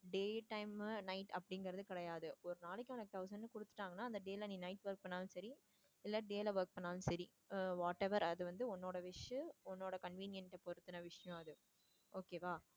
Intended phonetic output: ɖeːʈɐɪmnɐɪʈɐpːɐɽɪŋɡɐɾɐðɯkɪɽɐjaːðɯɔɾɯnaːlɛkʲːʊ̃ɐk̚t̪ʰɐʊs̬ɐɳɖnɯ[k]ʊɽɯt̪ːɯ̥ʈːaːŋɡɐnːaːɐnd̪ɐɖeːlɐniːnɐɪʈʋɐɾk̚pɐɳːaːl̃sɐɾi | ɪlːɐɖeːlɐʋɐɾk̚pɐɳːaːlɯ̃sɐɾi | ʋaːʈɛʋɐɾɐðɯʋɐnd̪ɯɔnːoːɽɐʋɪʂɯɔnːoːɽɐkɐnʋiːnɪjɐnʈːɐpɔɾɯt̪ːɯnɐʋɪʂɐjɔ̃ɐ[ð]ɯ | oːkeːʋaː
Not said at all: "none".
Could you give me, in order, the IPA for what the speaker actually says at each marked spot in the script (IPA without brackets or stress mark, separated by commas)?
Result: k, ð